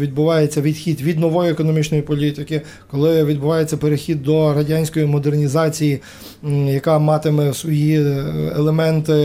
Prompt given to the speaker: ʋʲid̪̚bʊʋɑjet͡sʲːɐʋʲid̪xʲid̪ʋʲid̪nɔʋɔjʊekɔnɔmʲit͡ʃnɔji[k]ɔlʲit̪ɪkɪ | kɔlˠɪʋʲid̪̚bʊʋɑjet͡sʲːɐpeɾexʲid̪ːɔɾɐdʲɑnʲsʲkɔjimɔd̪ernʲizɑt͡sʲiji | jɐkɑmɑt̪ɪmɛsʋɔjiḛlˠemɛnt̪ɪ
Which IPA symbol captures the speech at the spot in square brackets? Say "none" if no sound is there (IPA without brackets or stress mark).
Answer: p